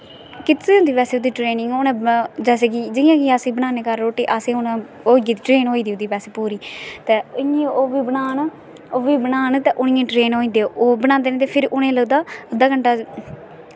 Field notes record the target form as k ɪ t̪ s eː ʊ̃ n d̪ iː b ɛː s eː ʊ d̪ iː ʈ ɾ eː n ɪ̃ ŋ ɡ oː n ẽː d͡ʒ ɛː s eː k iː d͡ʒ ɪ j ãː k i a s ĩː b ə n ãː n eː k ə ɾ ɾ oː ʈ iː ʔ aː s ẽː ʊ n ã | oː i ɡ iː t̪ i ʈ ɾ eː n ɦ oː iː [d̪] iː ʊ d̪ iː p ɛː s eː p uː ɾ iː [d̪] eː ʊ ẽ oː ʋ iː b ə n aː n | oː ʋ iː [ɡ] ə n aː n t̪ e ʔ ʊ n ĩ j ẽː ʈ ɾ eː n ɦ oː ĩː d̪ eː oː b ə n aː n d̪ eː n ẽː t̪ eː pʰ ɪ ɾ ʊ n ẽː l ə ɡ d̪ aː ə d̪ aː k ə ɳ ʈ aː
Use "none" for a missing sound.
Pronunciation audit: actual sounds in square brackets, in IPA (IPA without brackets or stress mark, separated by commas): d̪, t̪, b